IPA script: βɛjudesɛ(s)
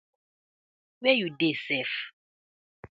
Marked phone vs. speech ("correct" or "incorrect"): incorrect